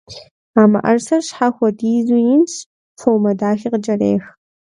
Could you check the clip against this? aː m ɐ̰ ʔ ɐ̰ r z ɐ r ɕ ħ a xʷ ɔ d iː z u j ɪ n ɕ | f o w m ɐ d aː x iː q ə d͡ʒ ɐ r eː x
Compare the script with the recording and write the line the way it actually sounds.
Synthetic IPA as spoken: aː m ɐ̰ ʔ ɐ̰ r s ɐ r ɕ ħ a xʷ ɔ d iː z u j ɪ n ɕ | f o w m ɐ d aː x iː q ə d͡ʒ ɐ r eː x